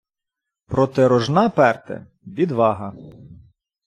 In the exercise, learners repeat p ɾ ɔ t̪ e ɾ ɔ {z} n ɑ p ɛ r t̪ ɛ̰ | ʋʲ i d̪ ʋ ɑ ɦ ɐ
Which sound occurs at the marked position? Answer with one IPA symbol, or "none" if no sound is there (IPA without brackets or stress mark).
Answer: ʒ